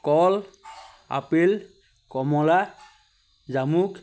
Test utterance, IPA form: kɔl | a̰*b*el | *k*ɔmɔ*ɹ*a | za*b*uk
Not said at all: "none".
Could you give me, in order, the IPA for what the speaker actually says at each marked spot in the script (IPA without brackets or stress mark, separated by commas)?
p, k, l, m